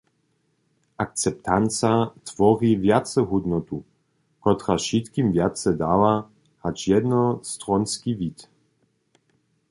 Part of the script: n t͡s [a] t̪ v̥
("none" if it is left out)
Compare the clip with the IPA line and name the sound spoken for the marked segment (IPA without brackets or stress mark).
a